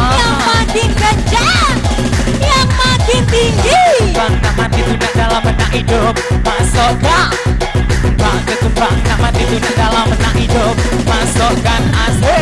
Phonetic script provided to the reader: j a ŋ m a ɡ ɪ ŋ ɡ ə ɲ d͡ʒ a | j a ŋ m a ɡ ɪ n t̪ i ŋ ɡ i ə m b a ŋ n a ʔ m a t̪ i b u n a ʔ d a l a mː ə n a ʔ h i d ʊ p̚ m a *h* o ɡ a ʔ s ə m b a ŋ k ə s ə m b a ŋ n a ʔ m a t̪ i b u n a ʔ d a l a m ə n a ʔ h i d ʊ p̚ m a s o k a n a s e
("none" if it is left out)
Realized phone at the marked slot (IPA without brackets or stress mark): s